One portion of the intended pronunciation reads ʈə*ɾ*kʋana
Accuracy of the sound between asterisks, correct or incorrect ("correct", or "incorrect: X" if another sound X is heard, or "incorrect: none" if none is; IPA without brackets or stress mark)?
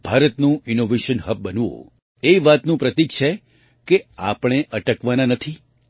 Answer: incorrect: none